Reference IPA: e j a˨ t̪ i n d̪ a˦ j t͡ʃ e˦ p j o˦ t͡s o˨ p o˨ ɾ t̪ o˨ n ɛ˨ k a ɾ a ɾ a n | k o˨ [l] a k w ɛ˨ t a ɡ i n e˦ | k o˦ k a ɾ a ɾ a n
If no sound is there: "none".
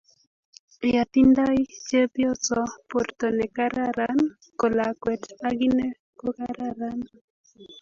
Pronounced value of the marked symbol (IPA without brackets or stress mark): l